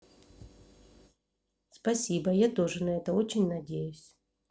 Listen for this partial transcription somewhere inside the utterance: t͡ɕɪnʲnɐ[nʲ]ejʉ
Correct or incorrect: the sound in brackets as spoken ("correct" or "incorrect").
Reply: incorrect